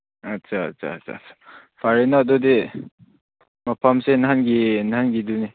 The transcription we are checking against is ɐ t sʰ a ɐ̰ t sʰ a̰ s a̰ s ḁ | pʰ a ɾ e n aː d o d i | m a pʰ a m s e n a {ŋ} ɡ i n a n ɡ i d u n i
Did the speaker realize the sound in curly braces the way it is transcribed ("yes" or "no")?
no